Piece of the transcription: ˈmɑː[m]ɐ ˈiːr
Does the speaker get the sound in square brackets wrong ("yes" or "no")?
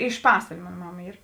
no